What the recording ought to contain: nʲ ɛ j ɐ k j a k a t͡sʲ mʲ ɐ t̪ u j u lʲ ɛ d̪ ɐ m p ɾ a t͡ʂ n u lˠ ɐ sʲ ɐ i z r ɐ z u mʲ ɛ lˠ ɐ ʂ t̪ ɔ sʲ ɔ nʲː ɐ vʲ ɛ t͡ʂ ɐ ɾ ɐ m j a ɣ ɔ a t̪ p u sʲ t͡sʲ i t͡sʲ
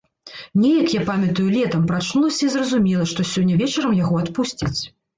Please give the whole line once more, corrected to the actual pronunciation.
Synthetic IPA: nʲ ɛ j ɐ k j a p a mʲ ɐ t̪ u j u lʲ ɛ t̪ ɐ m p ɾ a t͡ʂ n u lˠ ɐ sʲ ɐ i z r ɐ z u mʲ ɛ lˠ ɐ ʂ t̪ ɔ sʲ ɔ nʲː ɐ vʲ ɛ t͡ʂ ɐ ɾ ɐ m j a ɣ ɔ a t̪ p u sʲ t͡sʲ i t͡sʲ